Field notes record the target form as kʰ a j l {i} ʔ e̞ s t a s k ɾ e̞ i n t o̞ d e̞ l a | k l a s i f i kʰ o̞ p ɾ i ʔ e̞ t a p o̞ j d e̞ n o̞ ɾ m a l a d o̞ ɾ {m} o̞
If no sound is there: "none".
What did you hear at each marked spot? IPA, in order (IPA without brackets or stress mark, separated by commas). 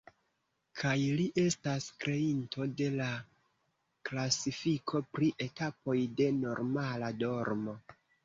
i, m